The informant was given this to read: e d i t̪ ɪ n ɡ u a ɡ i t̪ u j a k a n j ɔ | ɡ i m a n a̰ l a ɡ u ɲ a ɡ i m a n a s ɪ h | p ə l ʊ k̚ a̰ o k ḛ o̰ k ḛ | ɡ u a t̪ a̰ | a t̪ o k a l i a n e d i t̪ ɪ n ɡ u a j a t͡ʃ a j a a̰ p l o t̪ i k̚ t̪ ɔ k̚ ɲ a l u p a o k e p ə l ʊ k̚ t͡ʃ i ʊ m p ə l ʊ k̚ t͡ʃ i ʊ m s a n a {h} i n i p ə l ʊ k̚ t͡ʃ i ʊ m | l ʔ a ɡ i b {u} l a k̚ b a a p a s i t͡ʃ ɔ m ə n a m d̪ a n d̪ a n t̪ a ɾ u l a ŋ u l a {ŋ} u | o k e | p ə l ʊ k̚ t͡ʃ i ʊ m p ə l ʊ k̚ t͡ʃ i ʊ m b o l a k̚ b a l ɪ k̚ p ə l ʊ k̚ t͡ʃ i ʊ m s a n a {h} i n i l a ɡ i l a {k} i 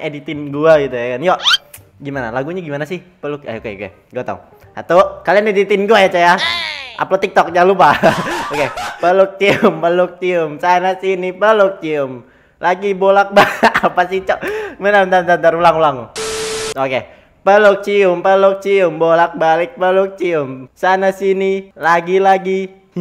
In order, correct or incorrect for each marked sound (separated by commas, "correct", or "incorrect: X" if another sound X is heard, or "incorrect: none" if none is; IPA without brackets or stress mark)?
incorrect: s, incorrect: o, correct, incorrect: s, incorrect: ɡ